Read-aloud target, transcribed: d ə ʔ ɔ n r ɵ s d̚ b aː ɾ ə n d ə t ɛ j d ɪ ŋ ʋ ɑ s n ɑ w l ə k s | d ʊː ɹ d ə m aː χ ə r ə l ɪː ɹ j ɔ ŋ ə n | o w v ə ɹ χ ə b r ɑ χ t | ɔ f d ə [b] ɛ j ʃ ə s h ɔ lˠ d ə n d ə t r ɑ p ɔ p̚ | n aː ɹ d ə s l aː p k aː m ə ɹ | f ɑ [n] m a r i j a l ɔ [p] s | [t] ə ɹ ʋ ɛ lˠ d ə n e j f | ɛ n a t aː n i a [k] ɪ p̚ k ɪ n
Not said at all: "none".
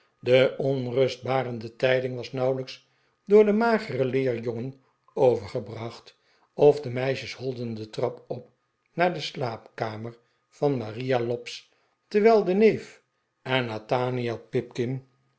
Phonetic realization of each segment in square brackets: m, n, p, t, p

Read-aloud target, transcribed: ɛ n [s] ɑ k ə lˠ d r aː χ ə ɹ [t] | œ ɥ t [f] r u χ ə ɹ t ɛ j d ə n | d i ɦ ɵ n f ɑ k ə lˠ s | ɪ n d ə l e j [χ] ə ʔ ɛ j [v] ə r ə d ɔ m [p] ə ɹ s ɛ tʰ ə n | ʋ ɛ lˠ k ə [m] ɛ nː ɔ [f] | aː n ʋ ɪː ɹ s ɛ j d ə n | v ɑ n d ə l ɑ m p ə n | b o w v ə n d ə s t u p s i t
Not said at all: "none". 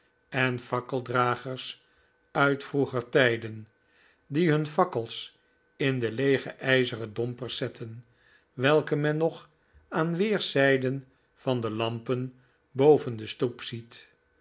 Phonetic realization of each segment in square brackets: f, s, f, χ, z, p, m, χ

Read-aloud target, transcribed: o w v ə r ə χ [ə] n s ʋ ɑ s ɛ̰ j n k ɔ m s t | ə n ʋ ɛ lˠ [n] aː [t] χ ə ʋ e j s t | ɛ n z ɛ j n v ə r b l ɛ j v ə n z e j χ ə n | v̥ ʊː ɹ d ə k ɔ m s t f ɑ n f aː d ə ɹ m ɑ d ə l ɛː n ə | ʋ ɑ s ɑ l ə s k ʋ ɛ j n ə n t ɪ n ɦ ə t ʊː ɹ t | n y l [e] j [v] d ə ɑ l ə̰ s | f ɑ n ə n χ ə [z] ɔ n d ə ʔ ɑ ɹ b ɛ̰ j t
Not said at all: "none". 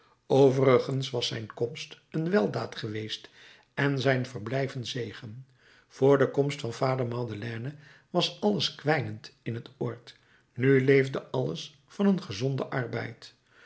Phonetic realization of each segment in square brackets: ə, d, t, e, v, z

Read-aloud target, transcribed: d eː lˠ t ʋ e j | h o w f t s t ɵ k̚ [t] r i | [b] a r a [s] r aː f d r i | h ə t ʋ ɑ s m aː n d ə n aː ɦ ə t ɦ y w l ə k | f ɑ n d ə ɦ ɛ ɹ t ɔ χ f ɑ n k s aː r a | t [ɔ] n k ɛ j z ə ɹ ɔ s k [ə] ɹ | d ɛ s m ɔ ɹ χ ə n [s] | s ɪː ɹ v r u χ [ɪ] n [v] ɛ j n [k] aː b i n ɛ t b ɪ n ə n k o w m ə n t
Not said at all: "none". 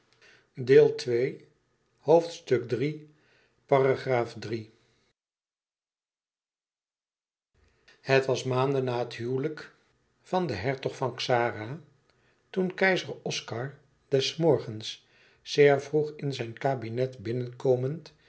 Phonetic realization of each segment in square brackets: d, p, χ, u, ɑ, s, ɪ, z, k

